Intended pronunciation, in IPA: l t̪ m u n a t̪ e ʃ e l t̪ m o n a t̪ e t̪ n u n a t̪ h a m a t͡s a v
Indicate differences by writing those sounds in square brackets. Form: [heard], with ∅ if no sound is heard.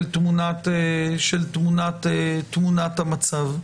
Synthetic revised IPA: l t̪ m u n a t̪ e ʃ e l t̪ m [u] n a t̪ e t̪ [m] u n a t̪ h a m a t͡s a v